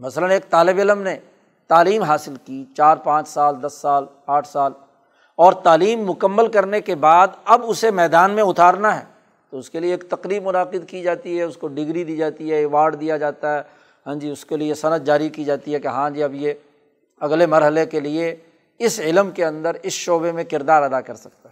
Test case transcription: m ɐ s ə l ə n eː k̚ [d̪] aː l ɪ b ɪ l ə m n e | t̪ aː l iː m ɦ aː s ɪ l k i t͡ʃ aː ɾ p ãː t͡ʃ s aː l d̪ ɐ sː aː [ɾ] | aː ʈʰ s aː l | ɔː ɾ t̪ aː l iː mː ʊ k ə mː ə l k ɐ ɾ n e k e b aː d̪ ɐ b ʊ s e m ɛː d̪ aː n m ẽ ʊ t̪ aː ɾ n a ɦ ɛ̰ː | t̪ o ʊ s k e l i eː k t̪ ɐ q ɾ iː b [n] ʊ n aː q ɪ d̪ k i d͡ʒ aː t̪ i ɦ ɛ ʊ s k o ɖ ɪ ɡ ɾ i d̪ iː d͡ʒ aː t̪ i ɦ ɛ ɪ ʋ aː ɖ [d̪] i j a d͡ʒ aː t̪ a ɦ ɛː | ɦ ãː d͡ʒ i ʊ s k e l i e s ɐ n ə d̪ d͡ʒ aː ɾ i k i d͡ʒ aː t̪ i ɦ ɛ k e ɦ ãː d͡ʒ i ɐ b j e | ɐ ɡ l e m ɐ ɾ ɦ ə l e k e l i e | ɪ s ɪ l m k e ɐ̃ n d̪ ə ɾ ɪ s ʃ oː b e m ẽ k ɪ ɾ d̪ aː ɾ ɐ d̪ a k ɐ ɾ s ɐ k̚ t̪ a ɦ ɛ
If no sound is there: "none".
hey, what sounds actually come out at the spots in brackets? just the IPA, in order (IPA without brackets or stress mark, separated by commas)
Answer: t̪, l, m, d̪